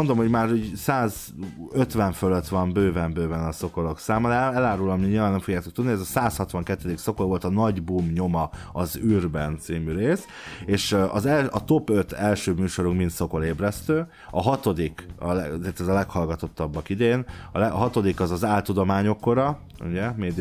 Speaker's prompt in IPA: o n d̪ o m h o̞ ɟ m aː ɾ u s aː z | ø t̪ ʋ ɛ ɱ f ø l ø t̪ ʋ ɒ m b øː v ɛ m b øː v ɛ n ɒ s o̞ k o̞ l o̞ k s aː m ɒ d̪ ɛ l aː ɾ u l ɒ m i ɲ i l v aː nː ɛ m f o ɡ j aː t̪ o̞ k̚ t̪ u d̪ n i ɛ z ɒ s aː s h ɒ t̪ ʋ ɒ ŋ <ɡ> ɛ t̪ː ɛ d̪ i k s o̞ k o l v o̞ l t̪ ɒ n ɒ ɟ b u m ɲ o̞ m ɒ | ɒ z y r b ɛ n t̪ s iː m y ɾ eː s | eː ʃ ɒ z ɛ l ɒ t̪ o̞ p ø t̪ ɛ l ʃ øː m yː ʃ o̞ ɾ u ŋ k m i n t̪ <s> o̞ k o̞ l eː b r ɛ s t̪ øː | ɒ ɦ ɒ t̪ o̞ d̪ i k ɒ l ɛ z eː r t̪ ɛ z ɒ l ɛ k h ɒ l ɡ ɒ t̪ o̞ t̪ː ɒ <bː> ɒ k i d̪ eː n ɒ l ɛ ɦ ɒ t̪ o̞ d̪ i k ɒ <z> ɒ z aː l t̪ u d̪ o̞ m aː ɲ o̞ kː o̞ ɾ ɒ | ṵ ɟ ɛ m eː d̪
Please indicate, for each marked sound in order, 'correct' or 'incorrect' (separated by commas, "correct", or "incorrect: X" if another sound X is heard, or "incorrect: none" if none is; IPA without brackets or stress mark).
incorrect: k, correct, correct, correct